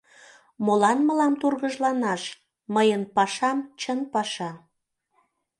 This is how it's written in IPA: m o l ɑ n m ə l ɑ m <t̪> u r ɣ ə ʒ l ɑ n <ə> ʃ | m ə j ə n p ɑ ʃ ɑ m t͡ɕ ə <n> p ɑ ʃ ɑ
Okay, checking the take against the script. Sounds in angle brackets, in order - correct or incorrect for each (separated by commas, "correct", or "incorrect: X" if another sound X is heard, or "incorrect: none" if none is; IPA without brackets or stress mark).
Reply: correct, incorrect: ɑ, correct